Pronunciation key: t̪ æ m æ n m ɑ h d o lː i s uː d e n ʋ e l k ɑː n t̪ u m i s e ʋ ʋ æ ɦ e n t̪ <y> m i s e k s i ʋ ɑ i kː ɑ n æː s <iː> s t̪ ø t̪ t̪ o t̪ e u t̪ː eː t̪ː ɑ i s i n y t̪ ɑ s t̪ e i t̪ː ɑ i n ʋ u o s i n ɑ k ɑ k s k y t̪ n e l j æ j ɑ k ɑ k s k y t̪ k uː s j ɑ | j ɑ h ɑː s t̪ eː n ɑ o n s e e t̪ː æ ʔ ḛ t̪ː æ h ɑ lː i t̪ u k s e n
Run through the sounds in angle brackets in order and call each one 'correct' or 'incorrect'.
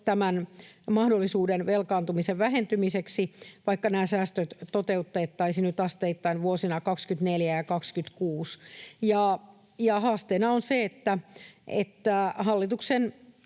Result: correct, incorrect: æː

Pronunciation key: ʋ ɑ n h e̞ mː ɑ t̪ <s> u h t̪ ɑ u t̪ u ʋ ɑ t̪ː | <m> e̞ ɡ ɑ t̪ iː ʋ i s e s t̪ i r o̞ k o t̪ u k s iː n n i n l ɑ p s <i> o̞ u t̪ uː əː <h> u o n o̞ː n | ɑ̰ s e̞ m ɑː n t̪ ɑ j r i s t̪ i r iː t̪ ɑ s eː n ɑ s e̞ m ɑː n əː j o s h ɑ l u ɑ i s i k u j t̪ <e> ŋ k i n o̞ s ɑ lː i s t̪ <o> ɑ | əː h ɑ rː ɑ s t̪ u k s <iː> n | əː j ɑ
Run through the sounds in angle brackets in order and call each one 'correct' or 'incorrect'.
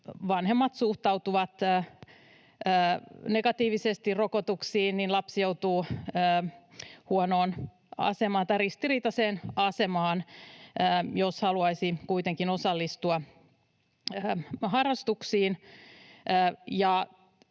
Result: correct, incorrect: n, incorrect: j, correct, correct, incorrect: u, correct

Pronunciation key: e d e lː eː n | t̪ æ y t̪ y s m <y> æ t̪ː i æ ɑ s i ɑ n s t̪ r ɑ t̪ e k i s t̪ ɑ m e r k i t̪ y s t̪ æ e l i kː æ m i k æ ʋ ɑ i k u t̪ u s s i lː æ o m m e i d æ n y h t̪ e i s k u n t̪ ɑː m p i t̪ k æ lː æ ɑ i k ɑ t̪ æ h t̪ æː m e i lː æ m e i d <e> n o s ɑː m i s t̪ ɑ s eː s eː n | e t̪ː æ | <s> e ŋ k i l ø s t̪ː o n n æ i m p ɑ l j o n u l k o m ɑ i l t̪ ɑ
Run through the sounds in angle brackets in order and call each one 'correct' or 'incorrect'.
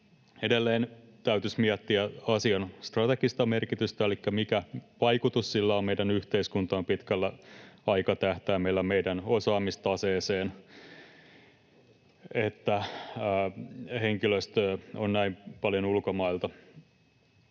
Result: incorrect: i, incorrect: æ, incorrect: h

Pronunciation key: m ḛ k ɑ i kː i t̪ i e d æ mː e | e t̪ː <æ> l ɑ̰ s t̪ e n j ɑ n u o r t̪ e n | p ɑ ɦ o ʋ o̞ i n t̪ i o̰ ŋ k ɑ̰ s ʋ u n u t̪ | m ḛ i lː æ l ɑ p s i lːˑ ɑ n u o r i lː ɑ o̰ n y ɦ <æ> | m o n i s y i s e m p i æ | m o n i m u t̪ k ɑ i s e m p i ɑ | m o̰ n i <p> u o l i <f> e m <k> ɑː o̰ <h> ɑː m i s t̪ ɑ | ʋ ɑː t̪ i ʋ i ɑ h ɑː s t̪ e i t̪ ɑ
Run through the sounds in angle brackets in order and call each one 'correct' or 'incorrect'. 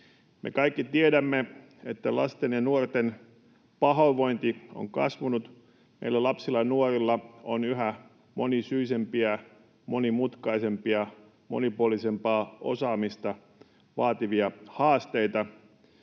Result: correct, correct, correct, incorrect: s, incorrect: p, incorrect: s

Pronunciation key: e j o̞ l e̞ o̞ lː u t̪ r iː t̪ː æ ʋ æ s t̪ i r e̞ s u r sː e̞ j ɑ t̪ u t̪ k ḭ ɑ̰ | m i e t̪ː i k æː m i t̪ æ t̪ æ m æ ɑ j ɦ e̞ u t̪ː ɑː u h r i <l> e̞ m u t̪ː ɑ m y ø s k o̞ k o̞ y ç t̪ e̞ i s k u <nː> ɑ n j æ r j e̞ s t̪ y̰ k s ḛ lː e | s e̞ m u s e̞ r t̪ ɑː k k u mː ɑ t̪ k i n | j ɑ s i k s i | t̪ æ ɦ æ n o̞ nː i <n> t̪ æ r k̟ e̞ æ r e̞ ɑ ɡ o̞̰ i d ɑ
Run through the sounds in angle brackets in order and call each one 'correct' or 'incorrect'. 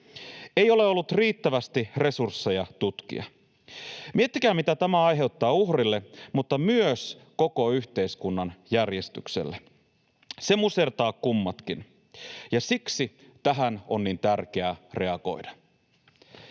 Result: incorrect: lː, correct, correct

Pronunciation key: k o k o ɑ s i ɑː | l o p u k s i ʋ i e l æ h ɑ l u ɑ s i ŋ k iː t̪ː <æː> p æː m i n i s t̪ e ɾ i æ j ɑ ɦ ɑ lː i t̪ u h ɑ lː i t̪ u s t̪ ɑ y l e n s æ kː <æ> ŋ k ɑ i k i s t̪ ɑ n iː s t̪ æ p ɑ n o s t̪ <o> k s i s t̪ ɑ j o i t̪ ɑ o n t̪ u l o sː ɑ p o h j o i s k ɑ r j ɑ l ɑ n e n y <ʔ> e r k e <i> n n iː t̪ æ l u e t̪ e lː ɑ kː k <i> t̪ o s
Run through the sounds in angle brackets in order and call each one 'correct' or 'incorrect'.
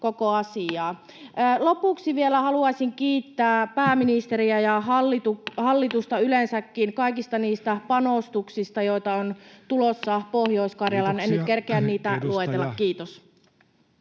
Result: correct, incorrect: i, incorrect: u, incorrect: k, incorrect: æ, incorrect: iː

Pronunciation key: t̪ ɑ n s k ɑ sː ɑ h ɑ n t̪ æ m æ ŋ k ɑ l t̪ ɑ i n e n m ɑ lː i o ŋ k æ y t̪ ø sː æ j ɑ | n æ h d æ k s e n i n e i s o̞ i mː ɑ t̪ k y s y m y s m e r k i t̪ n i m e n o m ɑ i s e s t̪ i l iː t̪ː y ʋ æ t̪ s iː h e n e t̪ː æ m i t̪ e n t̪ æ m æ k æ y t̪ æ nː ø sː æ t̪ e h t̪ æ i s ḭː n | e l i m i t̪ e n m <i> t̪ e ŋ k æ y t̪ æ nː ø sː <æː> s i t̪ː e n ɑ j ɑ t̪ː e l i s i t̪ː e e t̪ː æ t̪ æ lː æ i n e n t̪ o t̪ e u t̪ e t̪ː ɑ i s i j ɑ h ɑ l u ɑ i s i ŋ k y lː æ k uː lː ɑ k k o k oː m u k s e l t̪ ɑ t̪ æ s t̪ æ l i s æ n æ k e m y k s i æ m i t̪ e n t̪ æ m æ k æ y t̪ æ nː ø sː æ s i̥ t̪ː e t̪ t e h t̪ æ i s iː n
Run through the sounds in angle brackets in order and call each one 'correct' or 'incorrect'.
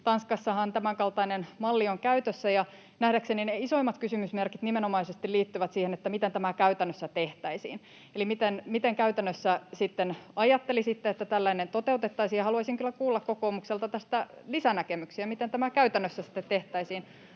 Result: correct, incorrect: æ

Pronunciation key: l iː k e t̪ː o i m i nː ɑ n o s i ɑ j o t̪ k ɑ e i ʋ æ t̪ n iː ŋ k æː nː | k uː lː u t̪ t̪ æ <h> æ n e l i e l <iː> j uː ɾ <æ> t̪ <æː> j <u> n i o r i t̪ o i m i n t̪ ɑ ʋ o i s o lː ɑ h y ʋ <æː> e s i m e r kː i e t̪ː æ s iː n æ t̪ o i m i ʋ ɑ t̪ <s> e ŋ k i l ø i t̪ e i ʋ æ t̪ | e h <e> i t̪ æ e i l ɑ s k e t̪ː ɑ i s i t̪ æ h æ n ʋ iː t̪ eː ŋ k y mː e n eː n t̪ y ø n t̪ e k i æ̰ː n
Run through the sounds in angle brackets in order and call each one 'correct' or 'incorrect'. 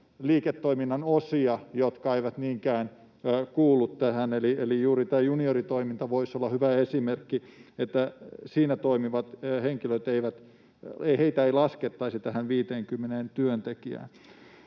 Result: correct, incorrect: i, incorrect: i, correct, correct, incorrect: æ, incorrect: h, correct

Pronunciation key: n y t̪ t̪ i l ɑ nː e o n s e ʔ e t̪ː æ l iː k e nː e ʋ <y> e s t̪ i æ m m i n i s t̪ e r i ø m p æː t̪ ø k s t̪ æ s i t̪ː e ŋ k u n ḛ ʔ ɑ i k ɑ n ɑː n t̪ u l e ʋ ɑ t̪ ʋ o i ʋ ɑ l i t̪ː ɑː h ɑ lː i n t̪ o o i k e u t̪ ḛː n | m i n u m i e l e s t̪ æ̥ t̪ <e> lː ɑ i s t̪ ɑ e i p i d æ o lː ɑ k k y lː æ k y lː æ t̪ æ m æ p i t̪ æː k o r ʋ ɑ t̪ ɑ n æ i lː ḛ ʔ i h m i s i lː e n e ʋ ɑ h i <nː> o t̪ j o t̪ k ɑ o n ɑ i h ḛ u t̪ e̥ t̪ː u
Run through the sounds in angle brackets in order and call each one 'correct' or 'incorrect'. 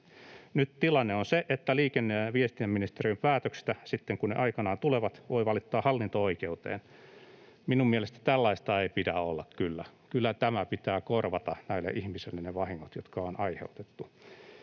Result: incorrect: i, incorrect: æ, incorrect: ŋː

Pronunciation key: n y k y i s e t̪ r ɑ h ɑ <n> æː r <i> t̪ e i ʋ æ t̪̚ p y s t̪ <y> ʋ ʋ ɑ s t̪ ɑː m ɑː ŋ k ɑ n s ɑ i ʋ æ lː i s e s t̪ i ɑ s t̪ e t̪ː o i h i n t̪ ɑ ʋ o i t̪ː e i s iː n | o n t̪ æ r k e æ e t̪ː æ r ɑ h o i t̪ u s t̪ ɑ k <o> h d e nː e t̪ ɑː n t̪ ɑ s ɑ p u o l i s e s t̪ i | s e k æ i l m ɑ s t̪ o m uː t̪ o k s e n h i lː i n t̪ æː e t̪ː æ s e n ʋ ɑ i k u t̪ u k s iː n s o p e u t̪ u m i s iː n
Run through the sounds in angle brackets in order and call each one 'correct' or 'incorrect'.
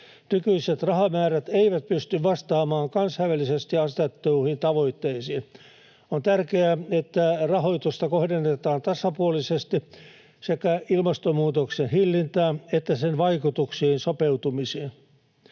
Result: incorrect: m, incorrect: æ, correct, correct

